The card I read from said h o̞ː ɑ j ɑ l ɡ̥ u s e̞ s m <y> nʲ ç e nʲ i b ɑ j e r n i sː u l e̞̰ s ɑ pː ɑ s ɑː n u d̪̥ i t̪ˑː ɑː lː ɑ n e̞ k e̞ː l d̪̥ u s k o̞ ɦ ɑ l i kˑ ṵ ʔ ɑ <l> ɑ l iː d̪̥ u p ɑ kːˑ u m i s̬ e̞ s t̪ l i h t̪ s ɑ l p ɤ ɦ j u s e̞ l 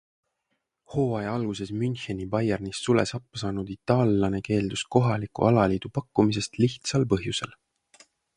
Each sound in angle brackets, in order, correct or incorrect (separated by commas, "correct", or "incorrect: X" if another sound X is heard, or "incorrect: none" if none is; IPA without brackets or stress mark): correct, correct